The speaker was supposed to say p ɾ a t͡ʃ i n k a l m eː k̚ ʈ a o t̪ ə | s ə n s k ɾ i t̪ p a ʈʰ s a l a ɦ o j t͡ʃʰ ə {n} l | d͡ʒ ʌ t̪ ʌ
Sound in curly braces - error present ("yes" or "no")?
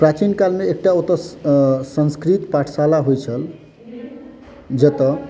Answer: yes